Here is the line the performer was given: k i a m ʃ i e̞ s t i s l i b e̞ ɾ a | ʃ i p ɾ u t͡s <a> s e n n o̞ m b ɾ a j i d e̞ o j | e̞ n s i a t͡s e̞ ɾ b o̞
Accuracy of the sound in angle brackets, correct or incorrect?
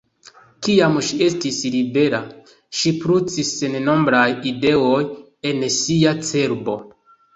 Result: incorrect